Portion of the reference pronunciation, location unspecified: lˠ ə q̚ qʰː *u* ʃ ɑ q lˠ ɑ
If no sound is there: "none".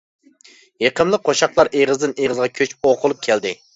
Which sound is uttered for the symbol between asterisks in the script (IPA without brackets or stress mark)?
o